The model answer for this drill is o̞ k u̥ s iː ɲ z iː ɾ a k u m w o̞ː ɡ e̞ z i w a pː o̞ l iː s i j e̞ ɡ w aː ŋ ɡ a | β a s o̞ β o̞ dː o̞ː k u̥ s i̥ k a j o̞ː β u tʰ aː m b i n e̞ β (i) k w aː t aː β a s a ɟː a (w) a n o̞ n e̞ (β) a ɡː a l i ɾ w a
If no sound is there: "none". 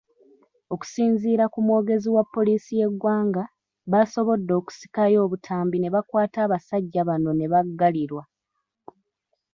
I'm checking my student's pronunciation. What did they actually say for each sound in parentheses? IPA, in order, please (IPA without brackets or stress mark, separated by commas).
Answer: a, β, β